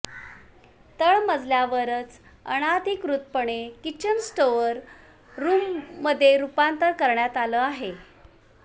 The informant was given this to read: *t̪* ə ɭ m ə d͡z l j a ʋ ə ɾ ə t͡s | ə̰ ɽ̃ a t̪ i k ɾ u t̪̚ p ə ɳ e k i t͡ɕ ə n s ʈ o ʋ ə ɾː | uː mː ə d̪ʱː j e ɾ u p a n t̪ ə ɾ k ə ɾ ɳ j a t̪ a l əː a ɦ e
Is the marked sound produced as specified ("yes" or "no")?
yes